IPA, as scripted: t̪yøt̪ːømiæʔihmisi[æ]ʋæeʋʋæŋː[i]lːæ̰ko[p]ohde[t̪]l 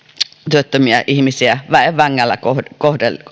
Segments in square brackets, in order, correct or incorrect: correct, incorrect: æ, incorrect: k, incorrect: none

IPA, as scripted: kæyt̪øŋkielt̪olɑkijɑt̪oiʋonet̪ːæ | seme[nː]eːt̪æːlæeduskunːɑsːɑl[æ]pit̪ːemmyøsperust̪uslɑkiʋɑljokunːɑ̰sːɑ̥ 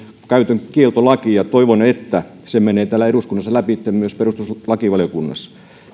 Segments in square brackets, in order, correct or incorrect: incorrect: n, correct

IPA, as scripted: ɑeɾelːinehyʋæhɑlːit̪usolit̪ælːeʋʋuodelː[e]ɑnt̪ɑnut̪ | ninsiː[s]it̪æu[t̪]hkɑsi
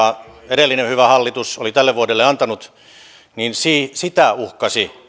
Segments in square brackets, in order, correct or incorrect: correct, correct, incorrect: none

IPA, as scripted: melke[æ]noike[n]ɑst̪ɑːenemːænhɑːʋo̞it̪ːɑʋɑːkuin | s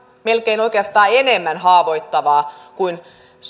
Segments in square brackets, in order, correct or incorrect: incorrect: i, incorrect: none

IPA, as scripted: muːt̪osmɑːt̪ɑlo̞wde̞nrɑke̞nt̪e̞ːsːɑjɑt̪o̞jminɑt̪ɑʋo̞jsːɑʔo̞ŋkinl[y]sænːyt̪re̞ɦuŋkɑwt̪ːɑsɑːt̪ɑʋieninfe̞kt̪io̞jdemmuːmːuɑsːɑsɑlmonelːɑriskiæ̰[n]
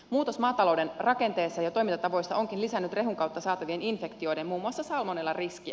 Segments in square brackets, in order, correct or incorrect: incorrect: i, incorrect: none

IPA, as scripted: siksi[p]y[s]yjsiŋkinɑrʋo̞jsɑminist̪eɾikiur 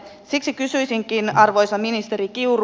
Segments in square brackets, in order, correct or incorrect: incorrect: k, correct

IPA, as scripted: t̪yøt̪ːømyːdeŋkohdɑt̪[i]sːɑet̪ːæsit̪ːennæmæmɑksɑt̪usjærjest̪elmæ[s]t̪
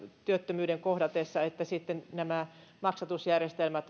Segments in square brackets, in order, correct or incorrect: incorrect: e, incorrect: none

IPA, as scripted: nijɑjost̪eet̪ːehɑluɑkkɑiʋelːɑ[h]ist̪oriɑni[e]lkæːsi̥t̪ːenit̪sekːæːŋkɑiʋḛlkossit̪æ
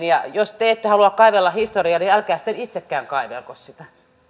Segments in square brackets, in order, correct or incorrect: correct, incorrect: æ

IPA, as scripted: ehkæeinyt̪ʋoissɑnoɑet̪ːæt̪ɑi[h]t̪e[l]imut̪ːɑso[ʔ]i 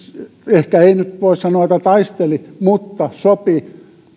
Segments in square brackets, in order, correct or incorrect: incorrect: s, correct, incorrect: p

